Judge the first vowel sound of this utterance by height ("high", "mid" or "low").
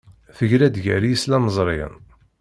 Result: mid